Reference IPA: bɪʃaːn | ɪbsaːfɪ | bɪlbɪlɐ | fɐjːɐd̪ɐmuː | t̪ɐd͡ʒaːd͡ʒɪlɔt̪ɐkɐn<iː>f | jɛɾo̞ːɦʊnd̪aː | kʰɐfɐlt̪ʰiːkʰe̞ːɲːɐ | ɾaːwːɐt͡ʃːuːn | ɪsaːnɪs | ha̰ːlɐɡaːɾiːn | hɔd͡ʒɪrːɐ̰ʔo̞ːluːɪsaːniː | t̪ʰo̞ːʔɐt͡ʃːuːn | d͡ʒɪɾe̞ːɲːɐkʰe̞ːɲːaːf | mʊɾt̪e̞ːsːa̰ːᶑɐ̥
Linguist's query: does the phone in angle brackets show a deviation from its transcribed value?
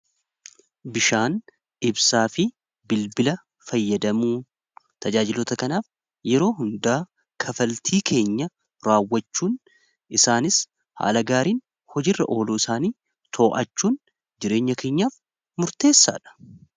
yes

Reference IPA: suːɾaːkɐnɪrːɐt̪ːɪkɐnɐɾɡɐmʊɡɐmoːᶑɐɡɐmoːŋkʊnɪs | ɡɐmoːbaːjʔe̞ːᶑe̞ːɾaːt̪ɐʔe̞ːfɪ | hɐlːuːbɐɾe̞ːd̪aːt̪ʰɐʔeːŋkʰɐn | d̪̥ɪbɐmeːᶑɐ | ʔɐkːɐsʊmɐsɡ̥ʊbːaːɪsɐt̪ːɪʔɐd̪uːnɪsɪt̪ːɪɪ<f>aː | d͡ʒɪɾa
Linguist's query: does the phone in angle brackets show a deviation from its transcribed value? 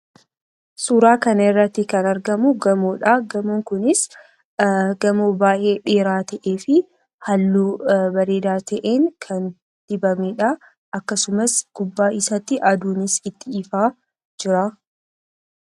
no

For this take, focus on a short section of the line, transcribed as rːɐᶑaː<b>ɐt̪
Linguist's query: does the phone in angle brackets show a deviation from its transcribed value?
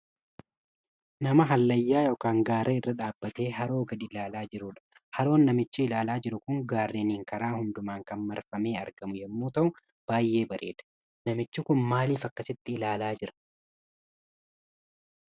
yes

